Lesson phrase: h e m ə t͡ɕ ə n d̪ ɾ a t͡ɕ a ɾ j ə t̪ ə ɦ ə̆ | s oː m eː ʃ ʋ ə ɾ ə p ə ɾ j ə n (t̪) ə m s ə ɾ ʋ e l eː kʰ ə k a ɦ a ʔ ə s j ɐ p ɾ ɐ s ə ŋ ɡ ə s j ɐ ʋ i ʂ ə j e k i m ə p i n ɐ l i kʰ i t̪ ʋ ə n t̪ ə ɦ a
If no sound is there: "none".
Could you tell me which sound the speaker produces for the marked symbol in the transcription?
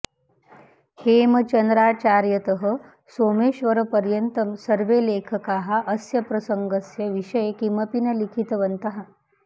t̪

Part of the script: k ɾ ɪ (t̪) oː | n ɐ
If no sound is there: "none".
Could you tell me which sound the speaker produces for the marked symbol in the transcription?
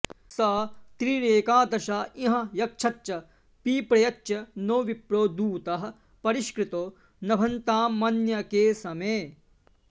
t̪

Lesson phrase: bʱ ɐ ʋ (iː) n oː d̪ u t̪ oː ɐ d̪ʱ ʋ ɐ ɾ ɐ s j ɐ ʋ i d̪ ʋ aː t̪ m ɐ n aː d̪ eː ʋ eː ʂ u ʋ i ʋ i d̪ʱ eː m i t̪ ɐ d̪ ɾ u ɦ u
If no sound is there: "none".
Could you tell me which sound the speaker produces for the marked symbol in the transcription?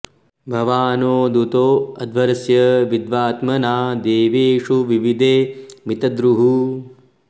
aː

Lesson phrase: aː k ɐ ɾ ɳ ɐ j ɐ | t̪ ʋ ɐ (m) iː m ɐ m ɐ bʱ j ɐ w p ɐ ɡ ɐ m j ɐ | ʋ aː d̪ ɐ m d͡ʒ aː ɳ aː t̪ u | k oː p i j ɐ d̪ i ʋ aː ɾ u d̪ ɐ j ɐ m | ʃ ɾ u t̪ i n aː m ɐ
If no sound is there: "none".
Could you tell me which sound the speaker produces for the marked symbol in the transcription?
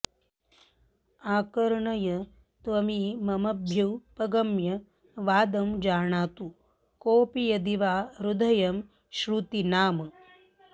m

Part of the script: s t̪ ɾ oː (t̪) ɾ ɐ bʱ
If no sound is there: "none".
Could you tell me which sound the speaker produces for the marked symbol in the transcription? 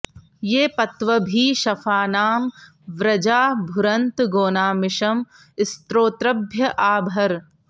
t̪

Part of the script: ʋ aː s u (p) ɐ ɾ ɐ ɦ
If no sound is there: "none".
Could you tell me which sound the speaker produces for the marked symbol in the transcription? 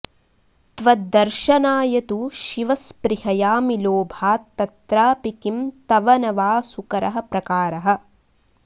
k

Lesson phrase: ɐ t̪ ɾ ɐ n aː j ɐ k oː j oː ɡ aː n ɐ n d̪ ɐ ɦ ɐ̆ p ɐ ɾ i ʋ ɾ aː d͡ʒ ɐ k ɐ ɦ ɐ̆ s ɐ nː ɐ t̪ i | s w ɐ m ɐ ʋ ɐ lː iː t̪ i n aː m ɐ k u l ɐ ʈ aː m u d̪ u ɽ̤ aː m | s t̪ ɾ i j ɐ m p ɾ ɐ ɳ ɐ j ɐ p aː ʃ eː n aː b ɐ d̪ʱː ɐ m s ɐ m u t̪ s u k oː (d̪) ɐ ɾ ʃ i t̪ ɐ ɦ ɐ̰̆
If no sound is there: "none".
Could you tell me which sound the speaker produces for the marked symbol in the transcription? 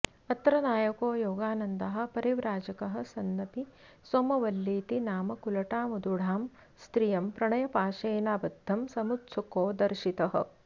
d̪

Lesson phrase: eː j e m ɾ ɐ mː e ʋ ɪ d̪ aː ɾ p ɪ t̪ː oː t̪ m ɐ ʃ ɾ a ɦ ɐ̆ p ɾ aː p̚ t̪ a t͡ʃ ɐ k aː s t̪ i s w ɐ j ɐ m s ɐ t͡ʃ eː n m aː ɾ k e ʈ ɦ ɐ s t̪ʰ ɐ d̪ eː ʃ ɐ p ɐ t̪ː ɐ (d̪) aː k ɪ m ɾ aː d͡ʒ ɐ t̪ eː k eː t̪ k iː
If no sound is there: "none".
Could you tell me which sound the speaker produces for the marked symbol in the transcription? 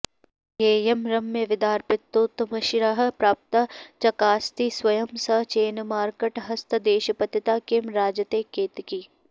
t̪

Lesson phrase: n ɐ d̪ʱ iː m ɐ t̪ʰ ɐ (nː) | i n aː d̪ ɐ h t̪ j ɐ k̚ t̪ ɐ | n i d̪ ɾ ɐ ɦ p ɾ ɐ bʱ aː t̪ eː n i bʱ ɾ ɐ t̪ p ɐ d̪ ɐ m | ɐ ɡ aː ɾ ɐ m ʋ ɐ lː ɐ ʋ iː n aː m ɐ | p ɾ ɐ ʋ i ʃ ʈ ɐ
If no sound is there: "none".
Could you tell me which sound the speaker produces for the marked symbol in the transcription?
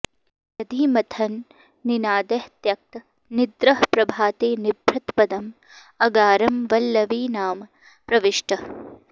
nː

